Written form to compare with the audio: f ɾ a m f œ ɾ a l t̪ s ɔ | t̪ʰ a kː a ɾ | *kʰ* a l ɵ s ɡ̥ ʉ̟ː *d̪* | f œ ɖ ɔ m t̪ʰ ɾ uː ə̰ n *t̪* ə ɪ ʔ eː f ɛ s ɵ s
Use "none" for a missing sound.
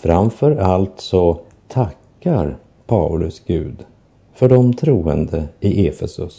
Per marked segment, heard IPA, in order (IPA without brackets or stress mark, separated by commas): pʰ, d̪, d̪